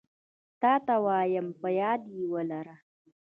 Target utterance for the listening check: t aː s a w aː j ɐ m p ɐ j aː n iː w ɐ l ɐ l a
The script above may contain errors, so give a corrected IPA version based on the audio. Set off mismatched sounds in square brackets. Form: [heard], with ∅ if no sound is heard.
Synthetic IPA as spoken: t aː [t] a w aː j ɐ m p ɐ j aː [d] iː w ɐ l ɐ [ɾ] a